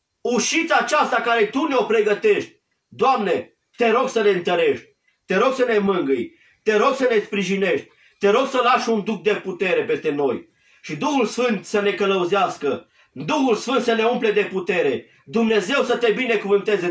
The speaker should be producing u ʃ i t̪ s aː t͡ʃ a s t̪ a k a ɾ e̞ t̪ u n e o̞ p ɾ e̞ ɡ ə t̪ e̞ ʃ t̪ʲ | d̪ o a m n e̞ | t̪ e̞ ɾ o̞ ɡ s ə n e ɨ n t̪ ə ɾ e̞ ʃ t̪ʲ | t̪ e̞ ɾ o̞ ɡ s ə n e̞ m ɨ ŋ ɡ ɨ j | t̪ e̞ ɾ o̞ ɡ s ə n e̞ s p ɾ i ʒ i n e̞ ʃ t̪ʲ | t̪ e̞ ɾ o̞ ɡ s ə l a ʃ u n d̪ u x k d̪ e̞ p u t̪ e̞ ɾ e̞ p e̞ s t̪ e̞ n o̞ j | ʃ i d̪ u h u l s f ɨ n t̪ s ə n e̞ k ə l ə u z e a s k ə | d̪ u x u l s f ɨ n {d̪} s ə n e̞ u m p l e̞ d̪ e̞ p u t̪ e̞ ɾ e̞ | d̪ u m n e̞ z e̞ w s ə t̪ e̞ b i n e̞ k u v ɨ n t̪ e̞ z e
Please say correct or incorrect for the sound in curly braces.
incorrect